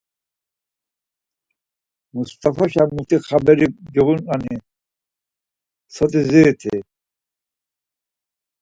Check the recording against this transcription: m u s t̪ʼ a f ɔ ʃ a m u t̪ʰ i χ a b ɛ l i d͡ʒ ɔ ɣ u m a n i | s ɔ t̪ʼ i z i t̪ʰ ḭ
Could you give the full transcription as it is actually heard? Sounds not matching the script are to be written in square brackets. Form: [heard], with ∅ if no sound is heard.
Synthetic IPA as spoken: m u s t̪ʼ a f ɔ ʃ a m u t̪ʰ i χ a b ɛ [ɾ] i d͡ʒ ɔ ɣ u [n] a n i | s ɔ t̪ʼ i z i t̪ʰ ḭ